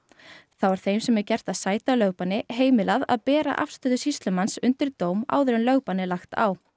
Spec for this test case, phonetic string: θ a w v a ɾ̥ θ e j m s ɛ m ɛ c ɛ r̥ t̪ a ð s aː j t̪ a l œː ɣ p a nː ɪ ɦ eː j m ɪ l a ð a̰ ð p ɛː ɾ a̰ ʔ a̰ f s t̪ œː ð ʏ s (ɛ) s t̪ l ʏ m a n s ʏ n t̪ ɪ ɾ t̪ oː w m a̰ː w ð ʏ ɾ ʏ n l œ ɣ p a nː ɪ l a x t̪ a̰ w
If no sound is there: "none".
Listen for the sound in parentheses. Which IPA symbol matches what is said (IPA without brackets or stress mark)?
i